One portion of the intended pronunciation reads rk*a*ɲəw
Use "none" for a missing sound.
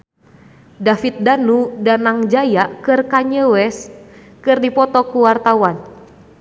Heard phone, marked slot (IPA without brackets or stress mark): a